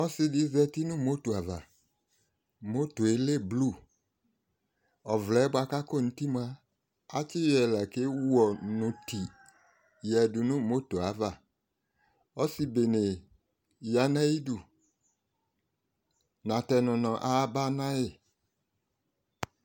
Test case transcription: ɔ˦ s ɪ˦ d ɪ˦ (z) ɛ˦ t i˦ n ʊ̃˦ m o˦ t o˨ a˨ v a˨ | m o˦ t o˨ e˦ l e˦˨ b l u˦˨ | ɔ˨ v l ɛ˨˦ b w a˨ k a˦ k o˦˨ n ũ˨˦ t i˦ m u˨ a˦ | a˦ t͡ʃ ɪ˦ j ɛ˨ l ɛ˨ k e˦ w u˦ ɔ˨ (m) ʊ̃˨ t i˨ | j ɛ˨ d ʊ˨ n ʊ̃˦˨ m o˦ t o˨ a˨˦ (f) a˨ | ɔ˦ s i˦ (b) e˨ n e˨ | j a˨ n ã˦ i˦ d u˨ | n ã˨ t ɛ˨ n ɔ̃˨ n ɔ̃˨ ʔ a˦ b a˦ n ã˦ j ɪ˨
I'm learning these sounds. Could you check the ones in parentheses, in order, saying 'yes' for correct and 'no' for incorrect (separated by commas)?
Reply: yes, no, no, yes